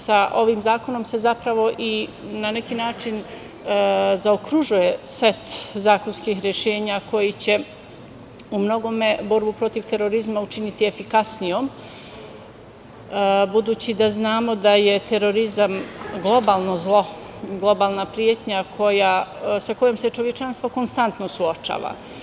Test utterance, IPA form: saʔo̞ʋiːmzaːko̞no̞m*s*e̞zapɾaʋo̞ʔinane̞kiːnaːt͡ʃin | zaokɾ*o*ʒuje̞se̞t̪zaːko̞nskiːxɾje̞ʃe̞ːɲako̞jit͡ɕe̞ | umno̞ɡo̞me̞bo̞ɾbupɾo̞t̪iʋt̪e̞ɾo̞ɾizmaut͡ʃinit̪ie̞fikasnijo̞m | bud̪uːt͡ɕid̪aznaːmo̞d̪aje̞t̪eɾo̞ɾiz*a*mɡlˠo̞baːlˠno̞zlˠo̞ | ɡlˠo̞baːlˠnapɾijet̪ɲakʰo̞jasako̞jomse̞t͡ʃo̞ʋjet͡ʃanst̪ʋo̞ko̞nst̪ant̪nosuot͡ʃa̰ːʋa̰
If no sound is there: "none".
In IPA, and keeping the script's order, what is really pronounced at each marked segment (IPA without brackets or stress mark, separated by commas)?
s, u, a